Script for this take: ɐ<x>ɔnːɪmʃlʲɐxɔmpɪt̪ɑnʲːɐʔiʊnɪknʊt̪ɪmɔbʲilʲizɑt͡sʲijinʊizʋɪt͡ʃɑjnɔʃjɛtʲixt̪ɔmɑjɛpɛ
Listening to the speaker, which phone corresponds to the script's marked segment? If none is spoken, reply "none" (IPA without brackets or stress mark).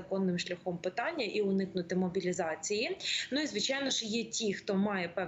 k